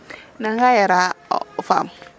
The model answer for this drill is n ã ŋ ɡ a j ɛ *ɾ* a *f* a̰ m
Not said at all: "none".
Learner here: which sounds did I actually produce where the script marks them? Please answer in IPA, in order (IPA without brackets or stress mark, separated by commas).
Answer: ɾ, f